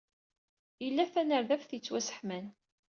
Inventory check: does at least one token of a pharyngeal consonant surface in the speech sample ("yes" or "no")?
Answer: yes